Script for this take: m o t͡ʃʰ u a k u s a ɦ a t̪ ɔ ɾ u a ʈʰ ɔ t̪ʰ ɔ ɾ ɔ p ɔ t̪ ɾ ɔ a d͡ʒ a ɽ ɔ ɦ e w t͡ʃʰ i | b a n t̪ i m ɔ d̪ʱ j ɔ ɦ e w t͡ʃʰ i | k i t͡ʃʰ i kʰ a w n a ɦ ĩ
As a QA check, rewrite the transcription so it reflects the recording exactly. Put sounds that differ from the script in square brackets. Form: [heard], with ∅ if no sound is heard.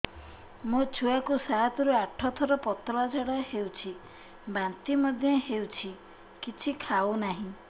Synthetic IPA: m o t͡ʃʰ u a k u s a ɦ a t̪ ɔ ɾ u a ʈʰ ɔ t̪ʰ ɔ ɾ ɔ p ɔ t̪ ɾ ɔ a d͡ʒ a ɽ ɔ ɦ e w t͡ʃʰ i | b a n t̪ i m ɔ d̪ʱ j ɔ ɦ e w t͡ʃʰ i | k i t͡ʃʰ i kʰ a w n a ɦ ĩ